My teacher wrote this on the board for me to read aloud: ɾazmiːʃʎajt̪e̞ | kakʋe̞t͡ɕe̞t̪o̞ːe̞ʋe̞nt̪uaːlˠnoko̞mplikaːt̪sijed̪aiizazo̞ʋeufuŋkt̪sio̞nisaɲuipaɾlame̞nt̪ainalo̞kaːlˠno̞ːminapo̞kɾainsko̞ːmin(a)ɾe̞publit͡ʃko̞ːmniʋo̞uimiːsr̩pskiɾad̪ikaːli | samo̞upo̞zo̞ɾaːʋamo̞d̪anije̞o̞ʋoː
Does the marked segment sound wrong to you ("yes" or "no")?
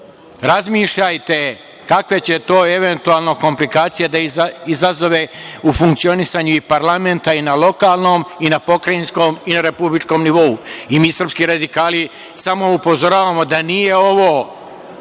no